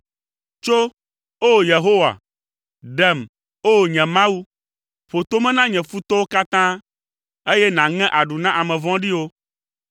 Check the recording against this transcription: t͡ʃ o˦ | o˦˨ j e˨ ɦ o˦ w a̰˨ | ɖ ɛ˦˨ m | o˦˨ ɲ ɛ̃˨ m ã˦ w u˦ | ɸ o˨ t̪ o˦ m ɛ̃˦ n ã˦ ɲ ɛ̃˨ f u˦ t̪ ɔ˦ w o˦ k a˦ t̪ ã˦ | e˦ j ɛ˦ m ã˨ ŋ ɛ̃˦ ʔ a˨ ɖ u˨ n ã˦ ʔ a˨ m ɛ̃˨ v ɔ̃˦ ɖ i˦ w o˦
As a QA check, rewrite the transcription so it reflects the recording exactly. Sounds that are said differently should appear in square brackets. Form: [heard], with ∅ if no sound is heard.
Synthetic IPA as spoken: t͡ʃ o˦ | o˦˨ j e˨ ɦ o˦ w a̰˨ | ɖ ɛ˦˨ m | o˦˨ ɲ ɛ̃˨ m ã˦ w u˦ | ɸ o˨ t̪ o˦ m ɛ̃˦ n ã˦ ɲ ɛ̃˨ f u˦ t̪ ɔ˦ w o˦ k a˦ t̪ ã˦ | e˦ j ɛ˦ [n] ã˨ ŋ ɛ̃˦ ʔ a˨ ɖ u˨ n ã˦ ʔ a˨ m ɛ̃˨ v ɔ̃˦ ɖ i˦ w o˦